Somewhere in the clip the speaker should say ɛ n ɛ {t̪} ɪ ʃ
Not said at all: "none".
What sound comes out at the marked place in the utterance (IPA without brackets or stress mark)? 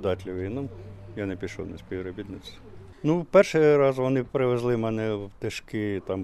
t̪